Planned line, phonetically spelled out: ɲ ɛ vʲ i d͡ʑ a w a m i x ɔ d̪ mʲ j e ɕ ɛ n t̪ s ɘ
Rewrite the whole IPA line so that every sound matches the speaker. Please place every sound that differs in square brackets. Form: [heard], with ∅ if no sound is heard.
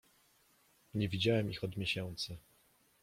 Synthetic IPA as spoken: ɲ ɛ vʲ i d͡ʑ a w [ɛ] m i x ɔ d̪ mʲ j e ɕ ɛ n t̪ s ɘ